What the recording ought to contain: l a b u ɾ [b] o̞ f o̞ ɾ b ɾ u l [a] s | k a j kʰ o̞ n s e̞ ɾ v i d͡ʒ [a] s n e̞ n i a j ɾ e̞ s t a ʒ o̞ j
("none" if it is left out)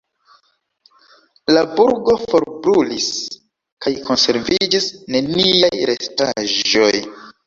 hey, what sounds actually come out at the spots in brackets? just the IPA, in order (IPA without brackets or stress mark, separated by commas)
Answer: ɡ, i, i